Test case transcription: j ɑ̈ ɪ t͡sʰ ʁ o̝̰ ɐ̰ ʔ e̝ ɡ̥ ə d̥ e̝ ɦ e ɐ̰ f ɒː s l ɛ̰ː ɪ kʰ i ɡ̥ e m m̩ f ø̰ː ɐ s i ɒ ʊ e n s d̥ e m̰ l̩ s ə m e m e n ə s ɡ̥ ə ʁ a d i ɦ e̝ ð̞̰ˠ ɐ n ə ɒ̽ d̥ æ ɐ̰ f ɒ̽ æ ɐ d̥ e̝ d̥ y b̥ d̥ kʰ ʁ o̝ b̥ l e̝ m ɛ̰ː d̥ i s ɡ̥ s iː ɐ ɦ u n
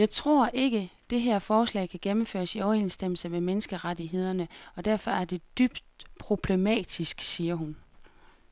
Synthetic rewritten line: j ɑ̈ ɪ t͡sʰ ʁ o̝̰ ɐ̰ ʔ e̝ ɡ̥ ə d̥ e̝ ɦ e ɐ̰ f ɒː s l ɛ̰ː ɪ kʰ æ ɡ̥ e m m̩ f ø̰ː ɐ s i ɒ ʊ e n s d̥ e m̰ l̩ s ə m e m e n ə s ɡ̥ ə ʁ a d i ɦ e̝ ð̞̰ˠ ɐ n ə ɒ̽ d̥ æ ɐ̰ f ɒ̽ æ ɐ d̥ e̝ d̥ y b̥ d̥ pʰ ʁ o̝ b̥ l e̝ m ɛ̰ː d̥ i s ɡ̥ s iː ɐ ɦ u n